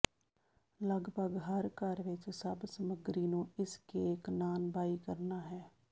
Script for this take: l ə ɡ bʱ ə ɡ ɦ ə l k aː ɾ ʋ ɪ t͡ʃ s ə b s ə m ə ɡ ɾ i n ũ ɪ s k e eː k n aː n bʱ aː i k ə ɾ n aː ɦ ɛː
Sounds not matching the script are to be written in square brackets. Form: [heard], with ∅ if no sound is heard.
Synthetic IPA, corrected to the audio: l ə ɡ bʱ ə ɡ ɦ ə [ɾ] k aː ɾ ʋ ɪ t͡ʃ s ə b s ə m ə ɡ ɾ i n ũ ɪ s k e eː k n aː n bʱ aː i k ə ɾ n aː ɦ ɛː